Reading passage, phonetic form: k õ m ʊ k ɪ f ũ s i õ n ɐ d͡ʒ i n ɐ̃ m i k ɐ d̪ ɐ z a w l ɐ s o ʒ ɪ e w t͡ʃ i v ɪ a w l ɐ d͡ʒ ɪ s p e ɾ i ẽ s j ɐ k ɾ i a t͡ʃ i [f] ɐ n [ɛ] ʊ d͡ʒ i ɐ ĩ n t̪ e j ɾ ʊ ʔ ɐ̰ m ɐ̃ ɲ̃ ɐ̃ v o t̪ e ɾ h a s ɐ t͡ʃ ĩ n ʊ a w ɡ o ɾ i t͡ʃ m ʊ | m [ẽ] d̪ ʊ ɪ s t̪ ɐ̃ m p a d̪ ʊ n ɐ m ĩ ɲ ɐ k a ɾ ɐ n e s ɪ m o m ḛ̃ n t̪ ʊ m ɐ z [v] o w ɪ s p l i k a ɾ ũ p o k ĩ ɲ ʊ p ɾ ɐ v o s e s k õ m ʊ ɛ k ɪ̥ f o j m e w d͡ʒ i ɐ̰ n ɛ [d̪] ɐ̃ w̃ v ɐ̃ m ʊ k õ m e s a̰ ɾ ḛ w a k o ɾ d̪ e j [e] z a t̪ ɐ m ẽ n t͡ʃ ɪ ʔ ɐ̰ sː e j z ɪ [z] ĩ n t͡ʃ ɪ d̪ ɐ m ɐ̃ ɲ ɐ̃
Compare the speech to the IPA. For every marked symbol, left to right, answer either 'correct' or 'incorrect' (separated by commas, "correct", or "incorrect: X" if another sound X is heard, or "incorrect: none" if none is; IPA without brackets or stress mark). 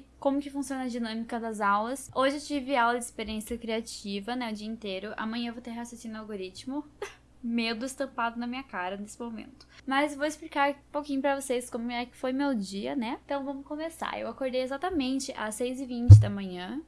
incorrect: v, correct, incorrect: e, correct, incorrect: t̪, correct, incorrect: v